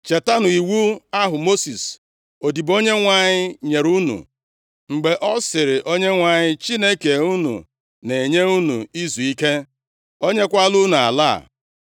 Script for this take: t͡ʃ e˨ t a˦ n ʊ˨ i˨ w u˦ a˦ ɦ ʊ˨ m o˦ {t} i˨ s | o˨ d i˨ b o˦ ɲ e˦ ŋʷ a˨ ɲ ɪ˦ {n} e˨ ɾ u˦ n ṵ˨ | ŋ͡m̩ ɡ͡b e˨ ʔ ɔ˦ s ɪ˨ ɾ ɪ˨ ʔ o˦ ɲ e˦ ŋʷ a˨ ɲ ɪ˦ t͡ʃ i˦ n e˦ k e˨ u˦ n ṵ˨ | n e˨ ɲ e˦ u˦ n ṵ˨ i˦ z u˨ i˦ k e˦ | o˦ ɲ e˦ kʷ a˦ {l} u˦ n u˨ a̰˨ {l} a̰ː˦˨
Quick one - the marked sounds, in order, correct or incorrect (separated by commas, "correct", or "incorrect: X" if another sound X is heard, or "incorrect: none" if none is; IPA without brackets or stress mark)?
incorrect: s, incorrect: ɲ, correct, correct